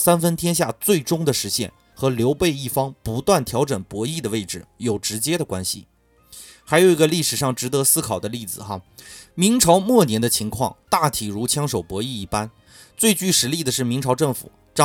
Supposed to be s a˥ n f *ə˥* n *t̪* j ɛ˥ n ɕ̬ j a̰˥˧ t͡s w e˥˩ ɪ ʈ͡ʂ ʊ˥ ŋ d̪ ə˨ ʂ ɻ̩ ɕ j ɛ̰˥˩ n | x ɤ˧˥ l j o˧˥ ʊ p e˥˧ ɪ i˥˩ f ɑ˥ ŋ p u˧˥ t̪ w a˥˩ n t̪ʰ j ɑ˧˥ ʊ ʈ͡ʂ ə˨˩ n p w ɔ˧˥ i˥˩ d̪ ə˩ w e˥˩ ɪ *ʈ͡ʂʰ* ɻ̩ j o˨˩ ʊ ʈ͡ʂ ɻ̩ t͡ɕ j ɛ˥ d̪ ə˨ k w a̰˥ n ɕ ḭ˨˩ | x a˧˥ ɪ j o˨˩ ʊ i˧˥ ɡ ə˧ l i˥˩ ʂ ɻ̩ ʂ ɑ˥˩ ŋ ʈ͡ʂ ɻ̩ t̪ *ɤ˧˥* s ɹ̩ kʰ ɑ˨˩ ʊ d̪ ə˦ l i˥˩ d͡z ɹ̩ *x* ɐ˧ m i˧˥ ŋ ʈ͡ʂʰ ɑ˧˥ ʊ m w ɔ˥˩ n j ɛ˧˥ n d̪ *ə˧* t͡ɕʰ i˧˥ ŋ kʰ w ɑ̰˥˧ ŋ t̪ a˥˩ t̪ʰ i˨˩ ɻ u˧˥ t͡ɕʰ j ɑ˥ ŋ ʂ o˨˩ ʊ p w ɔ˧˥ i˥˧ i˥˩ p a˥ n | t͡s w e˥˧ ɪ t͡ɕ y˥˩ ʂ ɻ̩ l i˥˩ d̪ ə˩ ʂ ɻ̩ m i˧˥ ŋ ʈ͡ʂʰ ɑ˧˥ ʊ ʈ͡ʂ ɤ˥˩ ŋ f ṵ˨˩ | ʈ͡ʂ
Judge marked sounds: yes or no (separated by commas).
yes, no, no, yes, yes, yes